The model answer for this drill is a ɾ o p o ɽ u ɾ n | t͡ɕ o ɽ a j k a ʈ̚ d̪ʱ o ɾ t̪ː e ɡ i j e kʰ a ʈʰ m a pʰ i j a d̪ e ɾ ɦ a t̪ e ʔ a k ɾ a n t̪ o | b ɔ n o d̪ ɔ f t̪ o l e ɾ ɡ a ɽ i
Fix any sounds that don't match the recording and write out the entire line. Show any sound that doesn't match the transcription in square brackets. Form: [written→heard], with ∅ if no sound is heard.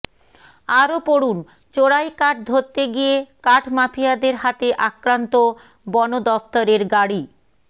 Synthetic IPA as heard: a ɾ o p o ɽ u [ɾ→∅] n | t͡ɕ o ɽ a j k a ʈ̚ d̪ʱ o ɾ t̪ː e ɡ i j e [kʰ→k] a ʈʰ m a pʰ i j a d̪ e ɾ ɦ a t̪ e ʔ a k ɾ a n t̪ o | b ɔ n o d̪ ɔ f t̪ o [l→ɾ] e ɾ ɡ a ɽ i

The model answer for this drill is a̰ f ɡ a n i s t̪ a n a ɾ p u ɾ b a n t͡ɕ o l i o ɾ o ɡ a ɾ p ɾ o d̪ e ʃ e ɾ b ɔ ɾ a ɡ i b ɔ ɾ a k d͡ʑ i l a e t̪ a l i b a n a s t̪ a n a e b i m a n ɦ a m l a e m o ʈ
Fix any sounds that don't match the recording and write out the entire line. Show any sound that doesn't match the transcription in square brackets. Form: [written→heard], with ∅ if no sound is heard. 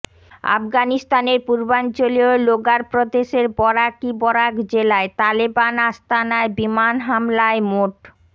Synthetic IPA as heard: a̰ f ɡ a n i s t̪ a n [a→e] ɾ p u ɾ b a n t͡ɕ o l i o [ɾ→l] o ɡ a ɾ p ɾ o d̪ e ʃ e ɾ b ɔ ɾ a [ɡ→k] i b ɔ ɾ a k d͡ʑ [i→e] l a e t̪ a l i b a n a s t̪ a n a e b i m a n ɦ a m l a e m o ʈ

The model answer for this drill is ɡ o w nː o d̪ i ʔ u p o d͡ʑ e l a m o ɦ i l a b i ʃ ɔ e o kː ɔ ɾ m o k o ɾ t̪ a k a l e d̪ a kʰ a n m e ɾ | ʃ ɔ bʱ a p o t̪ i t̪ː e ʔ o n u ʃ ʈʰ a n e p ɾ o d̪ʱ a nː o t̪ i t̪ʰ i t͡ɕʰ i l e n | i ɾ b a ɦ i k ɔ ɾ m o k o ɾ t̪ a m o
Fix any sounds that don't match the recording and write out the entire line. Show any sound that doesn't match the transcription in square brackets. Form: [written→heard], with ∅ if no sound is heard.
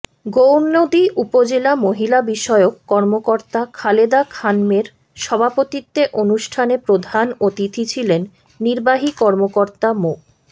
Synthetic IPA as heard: ɡ o w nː o d̪ i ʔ u p o d͡ʑ e l a m o ɦ i l a b i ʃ ɔ e o kː ɔ ɾ m o k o ɾ t̪ a [k→kʰ] a l e d̪ a kʰ a n m e ɾ | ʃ ɔ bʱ a p o t̪ i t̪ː e ʔ o n u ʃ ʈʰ a n e p ɾ o d̪ʱ a [nː→n] o t̪ i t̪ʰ i t͡ɕʰ i l e [n→nː] | i ɾ b a ɦ i k ɔ ɾ m o k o ɾ t̪ a m o

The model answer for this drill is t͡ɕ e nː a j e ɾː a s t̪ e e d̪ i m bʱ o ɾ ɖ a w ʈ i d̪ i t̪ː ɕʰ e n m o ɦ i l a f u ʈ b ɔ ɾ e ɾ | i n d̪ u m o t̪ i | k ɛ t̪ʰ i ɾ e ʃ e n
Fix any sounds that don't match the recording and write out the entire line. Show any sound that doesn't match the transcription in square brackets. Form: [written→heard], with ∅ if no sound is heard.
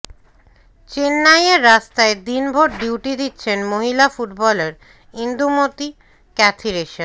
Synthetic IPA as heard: t͡ɕ e nː a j e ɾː a s t̪ [e→a] e d̪ i [m→n] bʱ o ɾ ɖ [a→i] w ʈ i d̪ i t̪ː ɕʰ e n m o ɦ i l a f u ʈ b ɔ [ɾ→l] e ɾ | i n d̪ u m o t̪ i | k ɛ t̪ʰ i ɾ e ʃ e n

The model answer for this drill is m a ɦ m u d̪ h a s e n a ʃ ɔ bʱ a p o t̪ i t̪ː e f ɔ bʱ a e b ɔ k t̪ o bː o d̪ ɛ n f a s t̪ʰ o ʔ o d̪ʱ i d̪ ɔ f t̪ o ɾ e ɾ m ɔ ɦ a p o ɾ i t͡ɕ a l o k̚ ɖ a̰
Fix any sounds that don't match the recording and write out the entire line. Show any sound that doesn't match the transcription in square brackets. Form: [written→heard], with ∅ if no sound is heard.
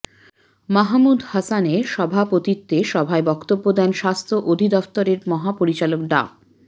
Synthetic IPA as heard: m a ɦ m u d̪ h a s [e→a] n [a→e] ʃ ɔ bʱ a p o t̪ i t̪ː e [f→ʃ] ɔ bʱ a e b ɔ k t̪ o bː o d̪ ɛ n [f→ʃ] a s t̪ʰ o ʔ o d̪ʱ i d̪ ɔ f t̪ o ɾ e ɾ m ɔ ɦ a p o ɾ i t͡ɕ a l o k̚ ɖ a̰

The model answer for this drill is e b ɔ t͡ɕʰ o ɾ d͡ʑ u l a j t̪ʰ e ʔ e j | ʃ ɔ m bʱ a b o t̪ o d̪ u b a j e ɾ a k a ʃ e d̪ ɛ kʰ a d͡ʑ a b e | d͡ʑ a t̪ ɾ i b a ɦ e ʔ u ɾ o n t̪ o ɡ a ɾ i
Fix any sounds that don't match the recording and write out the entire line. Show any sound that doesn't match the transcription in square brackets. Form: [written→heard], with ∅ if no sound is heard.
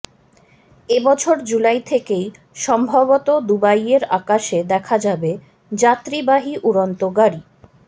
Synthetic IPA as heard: e b ɔ t͡ɕʰ o ɾ d͡ʑ u l a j t̪ʰ e [ʔ→k] e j | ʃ ɔ m bʱ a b o t̪ o d̪ u b a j e ɾ a k a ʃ e d̪ ɛ kʰ a d͡ʑ a b e | d͡ʑ a t̪ ɾ i b a ɦ [e→i] ʔ u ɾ o n t̪ o ɡ a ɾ i

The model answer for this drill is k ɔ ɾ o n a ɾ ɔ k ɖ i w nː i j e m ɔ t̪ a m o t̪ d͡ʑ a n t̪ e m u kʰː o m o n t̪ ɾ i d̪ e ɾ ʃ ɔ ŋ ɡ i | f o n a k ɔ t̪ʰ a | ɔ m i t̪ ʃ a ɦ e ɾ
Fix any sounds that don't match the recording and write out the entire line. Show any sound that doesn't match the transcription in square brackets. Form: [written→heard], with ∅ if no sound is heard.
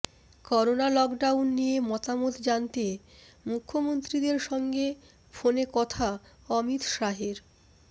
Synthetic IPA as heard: k ɔ ɾ o n a [ɾ→l] ɔ k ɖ [i→a] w nː i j e m ɔ t̪ a m o t̪ d͡ʑ a n t̪ e m u kʰː o m o n t̪ ɾ i d̪ e ɾ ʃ ɔ ŋ ɡ [i→e] | f o n [a→e] k ɔ t̪ʰ a | ɔ m i t̪ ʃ a ɦ e ɾ

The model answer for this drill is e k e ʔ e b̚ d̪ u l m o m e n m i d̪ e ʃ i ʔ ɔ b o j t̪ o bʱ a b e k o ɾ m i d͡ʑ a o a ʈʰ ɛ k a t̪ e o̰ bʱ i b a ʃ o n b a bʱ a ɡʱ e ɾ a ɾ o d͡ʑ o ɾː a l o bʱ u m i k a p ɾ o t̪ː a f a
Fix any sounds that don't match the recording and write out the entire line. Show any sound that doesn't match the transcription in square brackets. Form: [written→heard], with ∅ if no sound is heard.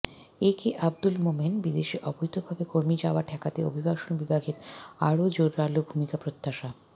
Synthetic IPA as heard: e k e ʔ [e→a] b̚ d̪ u l m o m e n [m→b] i d̪ e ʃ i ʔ ɔ b o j t̪ o bʱ a b e k o ɾ m i d͡ʑ a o a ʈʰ ɛ k a t̪ e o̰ bʱ i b a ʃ o n b [a→i] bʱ a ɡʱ e ɾ a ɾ o d͡ʑ o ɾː a l o bʱ u m i k a p ɾ o t̪ː a [f→ʃ] a

